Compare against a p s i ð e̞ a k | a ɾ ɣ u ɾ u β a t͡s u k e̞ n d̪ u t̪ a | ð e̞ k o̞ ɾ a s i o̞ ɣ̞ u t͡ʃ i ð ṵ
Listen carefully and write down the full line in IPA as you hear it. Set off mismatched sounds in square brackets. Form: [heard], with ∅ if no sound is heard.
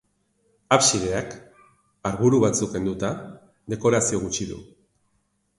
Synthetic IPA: a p s i ð e̞ a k | a ɾ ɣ u ɾ u β a t͡s u k e̞ n d̪ u t̪ a | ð e̞ k o̞ ɾ a s i o̞ ɣ̞ u t͡ʃ i ð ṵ